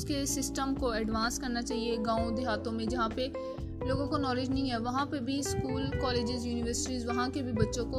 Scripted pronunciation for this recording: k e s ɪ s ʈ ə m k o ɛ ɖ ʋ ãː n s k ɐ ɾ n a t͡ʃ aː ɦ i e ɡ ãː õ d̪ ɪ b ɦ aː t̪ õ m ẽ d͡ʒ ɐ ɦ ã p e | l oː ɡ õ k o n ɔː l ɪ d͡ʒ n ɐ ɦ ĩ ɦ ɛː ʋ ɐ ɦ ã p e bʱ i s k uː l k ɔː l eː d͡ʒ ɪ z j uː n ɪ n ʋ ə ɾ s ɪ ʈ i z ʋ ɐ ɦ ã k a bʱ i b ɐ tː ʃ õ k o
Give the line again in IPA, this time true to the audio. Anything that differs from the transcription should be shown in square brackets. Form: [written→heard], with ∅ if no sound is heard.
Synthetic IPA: k e s ɪ s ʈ ə m k o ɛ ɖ ʋ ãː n s k ɐ ɾ n a t͡ʃ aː ɦ i e ɡ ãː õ d̪ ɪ [b→∅] ɦ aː t̪ õ m ẽ d͡ʒ ɐ ɦ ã p e | l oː ɡ õ k o n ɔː l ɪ d͡ʒ n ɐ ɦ ĩ ɦ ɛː ʋ ɐ ɦ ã p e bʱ i s k uː l k ɔː l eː d͡ʒ ɪ z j uː n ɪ [n→∅] ʋ ə ɾ s ɪ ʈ i z ʋ ɐ ɦ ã k [a→e] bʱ i b ɐ tː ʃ õ k o